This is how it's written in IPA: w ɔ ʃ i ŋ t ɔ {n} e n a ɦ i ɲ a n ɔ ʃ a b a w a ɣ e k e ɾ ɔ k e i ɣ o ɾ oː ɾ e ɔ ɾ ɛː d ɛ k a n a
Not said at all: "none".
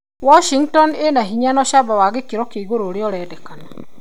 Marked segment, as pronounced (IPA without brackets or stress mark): n